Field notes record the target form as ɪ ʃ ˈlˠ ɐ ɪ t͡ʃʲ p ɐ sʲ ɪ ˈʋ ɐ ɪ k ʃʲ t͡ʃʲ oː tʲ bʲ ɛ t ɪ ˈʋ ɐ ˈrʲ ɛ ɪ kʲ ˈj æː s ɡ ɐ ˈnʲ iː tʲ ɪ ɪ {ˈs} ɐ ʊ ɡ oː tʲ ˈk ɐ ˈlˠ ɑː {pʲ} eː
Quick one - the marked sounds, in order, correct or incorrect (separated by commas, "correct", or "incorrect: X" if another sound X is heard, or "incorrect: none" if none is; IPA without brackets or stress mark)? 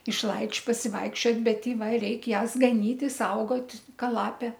correct, correct